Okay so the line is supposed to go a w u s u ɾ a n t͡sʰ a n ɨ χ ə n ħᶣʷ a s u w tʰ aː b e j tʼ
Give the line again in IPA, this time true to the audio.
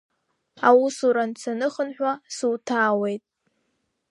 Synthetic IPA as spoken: a w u s u ɾ a n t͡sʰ a n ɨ χ ə n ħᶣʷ a s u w tʰ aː w e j tʼ